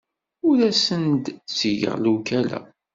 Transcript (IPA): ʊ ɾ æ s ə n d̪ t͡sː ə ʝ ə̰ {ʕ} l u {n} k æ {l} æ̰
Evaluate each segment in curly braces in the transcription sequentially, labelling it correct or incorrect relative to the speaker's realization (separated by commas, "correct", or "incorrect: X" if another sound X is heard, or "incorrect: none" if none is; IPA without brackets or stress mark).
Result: incorrect: ʁ, incorrect: none, correct